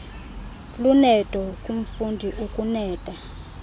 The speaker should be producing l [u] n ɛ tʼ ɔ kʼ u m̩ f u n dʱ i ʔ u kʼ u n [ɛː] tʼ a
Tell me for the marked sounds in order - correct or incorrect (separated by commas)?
correct, correct